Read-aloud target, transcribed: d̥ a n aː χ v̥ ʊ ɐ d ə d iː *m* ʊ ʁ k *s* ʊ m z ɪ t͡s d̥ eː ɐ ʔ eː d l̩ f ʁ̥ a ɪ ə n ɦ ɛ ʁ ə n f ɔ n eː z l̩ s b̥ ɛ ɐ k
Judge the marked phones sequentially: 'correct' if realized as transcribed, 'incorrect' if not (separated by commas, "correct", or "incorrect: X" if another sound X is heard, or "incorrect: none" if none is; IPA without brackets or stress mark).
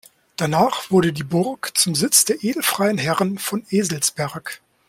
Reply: incorrect: b, incorrect: t͡s